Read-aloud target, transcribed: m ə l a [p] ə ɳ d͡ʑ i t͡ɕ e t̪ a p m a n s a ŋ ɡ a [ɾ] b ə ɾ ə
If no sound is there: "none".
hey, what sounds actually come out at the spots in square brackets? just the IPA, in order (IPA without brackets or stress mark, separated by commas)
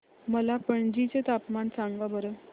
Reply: p, none